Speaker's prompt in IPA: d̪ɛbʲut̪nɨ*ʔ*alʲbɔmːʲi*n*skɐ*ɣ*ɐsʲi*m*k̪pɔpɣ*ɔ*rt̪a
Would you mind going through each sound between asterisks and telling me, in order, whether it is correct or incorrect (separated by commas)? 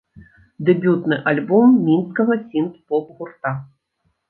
correct, correct, correct, incorrect, incorrect